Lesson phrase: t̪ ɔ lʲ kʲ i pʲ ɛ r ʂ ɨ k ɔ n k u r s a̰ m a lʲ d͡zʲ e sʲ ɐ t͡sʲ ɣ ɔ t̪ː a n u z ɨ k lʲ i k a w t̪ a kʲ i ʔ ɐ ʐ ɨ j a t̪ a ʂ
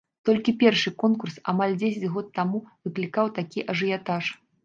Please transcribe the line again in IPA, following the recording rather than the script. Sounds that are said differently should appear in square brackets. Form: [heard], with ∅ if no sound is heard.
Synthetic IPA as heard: t̪ ɔ lʲ kʲ i pʲ ɛ r ʂ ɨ k ɔ n k u r s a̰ m a lʲ d͡zʲ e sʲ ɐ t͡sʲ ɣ ɔ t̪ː a [m] u [v] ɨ k lʲ i k a w t̪ a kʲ i ʔ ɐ ʐ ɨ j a t̪ a ʂ

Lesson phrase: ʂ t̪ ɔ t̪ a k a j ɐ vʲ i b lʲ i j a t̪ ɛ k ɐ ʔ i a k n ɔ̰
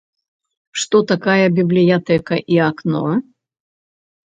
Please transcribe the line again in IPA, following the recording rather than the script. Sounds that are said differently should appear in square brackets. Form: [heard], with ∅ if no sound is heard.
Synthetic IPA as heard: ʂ t̪ ɔ t̪ a k a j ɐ [bʲ] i b lʲ i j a t̪ ɛ k ɐ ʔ i a k n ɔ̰

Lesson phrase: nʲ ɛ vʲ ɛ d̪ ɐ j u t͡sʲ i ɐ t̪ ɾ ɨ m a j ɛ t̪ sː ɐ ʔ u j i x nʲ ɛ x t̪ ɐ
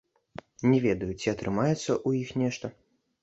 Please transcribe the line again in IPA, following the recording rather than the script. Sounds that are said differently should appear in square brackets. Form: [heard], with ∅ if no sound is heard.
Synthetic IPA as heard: nʲ ɛ vʲ ɛ d̪ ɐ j u t͡sʲ i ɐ t̪ ɾ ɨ m a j ɛ t̪ sː ɐ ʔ u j i x nʲ ɛ [ʂ] t̪ ɐ

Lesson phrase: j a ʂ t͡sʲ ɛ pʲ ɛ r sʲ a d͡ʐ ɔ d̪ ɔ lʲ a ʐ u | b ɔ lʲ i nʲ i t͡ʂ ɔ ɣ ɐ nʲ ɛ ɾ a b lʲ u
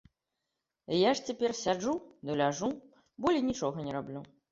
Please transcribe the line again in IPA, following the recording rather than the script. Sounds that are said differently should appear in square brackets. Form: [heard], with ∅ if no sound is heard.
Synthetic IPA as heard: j a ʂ t͡sʲ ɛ pʲ ɛ r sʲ a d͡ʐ [u] d̪ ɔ lʲ a ʐ u | b ɔ lʲ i nʲ i t͡ʂ ɔ ɣ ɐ nʲ ɛ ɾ a b lʲ u

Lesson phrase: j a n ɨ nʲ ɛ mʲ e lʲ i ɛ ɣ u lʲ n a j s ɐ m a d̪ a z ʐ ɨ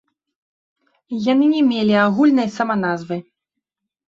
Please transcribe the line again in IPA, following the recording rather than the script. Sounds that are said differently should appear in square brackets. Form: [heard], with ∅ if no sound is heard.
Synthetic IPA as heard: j a n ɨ nʲ ɛ mʲ e lʲ i [a] ɣ u lʲ n [ɐ] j s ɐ m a [n̪] a z [v] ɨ

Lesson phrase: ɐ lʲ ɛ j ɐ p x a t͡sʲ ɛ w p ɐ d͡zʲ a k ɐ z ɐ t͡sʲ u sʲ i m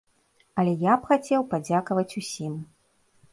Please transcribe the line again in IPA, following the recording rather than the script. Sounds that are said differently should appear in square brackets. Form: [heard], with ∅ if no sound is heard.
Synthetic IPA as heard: ɐ lʲ ɛ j [a] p x a t͡sʲ ɛ w p [a] d͡zʲ a k ɐ [v] ɐ t͡sʲ u sʲ i m

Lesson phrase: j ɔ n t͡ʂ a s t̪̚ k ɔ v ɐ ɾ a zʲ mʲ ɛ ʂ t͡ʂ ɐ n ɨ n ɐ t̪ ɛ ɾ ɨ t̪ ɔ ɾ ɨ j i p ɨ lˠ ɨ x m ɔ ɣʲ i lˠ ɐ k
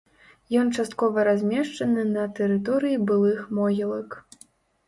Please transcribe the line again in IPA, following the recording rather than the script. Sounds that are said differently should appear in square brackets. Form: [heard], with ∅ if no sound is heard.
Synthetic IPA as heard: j ɔ n t͡ʂ a s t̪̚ k ɔ v ɐ ɾ a zʲ mʲ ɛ ʂ t͡ʂ ɐ n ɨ n ɐ t̪ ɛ ɾ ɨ t̪ ɔ ɾ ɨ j i [b] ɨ lˠ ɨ x m ɔ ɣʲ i lˠ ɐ k

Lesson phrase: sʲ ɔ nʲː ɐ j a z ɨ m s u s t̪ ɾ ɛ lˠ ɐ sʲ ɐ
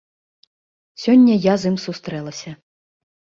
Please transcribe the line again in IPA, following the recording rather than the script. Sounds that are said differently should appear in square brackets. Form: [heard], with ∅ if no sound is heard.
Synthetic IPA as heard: sʲ ɔ nʲː ɐ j a z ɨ m s u s t̪ ɾ ɛ lˠ ɐ sʲ ɐ

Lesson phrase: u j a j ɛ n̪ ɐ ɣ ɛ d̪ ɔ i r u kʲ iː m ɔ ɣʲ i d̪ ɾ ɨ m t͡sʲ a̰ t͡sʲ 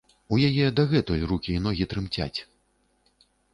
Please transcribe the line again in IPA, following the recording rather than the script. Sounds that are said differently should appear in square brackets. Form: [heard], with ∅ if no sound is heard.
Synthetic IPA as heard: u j a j ɛ [d̪] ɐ ɣ ɛ [t̪] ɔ [j] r u kʲ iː [n] ɔ ɣʲ i [t̪] ɾ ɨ m t͡sʲ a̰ t͡sʲ

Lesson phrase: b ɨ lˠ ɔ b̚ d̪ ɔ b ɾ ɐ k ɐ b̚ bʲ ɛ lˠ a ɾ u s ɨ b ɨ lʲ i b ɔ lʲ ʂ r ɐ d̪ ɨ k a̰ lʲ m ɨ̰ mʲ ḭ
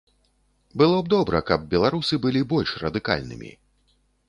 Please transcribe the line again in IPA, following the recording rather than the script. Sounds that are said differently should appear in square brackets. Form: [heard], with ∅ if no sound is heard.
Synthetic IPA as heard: b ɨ lˠ ɔ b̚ d̪ ɔ b ɾ ɐ k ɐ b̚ bʲ ɛ lˠ a ɾ u s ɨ b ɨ lʲ i b ɔ lʲ ʂ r ɐ d̪ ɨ k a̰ lʲ [n] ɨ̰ mʲ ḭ

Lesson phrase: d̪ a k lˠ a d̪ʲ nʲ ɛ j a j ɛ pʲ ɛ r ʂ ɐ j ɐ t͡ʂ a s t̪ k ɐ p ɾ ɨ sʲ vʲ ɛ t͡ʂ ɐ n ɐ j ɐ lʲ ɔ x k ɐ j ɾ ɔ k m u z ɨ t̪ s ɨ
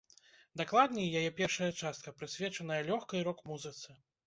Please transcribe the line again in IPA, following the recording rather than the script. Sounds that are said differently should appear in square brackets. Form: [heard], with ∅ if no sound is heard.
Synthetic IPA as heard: d̪ a k lˠ a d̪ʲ nʲ ɛ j a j ɛ pʲ ɛ r ʂ ɐ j ɐ t͡ʂ a s t̪ k ɐ p ɾ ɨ sʲ vʲ ɛ t͡ʂ ɐ n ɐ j ɐ lʲ ɔ x k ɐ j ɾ ɔ k m u z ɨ t̪ s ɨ

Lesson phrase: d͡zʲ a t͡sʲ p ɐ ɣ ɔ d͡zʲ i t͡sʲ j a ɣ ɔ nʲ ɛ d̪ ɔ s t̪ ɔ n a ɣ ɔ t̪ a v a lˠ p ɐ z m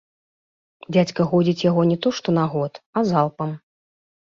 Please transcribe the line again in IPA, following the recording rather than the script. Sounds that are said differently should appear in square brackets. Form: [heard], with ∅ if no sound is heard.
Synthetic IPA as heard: d͡zʲ a t͡sʲ [k] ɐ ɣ ɔ d͡zʲ i t͡sʲ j a ɣ ɔ nʲ ɛ [t̪] ɔ [ʂ] t̪ ɔ n a ɣ ɔ t̪ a [z] a lˠ p ɐ [∅] m

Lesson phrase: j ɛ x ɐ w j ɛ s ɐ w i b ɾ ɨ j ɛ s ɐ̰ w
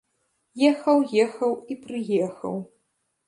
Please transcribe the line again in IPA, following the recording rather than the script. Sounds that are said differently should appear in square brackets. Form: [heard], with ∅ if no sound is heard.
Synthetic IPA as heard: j ɛ x ɐ w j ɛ [x] ɐ w i [p] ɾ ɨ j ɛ [x] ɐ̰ w

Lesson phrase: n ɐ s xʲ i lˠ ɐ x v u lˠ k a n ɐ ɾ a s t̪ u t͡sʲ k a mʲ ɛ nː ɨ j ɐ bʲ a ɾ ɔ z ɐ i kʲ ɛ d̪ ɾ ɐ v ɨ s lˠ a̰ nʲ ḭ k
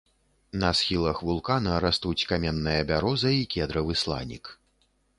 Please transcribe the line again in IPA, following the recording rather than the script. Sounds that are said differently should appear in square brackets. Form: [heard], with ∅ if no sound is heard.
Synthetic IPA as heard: n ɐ s xʲ i lˠ ɐ x v u lˠ k a n ɐ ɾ a s t̪ u t͡sʲ k a mʲ ɛ nː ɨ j ɐ bʲ a ɾ ɔ z ɐ i kʲ ɛ d̪ ɾ ɐ v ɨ s lˠ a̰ nʲ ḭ k

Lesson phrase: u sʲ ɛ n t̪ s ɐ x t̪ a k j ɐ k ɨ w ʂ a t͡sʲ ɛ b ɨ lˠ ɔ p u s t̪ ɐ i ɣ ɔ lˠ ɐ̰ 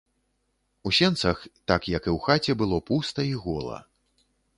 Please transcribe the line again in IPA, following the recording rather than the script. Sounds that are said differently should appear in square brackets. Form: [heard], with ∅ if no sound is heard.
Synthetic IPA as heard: u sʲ ɛ n t̪ s ɐ x t̪ a k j ɐ k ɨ w [x] a t͡sʲ ɛ b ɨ lˠ ɔ p u s t̪ ɐ i ɣ ɔ lˠ ɐ̰

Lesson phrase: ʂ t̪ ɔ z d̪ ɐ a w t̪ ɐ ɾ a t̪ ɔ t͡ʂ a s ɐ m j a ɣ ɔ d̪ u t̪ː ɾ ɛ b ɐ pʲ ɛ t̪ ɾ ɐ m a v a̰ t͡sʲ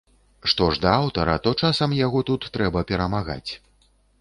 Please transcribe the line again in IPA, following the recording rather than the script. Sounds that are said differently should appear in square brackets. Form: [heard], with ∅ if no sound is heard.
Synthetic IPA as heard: ʂ t̪ ɔ [ʐ] d̪ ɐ a w t̪ ɐ ɾ [ɐ] t̪ ɔ t͡ʂ a s ɐ m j a ɣ ɔ [t̪] u t̪ː ɾ ɛ b ɐ pʲ ɛ [∅] ɾ ɐ m a [ɣ] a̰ t͡sʲ

